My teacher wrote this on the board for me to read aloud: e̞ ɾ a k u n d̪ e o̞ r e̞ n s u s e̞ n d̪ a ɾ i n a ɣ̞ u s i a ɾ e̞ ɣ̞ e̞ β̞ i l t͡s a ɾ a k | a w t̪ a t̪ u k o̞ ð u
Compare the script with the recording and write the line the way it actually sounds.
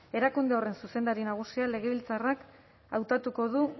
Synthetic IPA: e̞ ɾ a k u n d̪ e o̞ r e̞ n s u s e̞ n d̪ a ɾ i n a ɣ̞ u s i a l e̞ ɣ̞ e̞ β̞ i l t͡s a r a k | a w t̪ a t̪ u k o̞ ð u